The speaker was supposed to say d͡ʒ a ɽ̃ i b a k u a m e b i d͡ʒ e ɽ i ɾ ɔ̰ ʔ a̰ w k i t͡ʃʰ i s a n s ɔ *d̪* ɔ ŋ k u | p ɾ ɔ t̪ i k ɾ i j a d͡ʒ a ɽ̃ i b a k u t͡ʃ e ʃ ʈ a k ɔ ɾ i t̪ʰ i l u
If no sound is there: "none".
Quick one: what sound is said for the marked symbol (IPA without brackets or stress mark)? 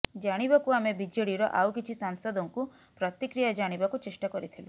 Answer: d̪